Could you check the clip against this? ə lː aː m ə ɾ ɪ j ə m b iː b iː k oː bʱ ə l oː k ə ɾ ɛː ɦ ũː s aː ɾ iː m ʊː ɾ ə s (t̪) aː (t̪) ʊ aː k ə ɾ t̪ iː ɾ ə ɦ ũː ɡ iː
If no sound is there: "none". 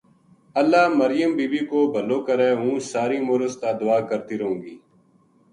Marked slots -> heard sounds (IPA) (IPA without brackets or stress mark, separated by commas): t̪, d̪